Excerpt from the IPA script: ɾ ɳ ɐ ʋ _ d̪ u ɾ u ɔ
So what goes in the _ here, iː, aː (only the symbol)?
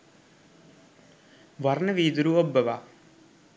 iː